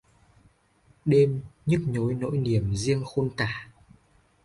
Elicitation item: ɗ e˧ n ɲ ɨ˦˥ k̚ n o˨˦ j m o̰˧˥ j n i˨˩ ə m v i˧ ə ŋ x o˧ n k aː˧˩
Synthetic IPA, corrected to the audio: ɗ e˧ m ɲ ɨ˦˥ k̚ ɲ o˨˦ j n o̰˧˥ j n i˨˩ ə m z i˧ ə ŋ x o˧ n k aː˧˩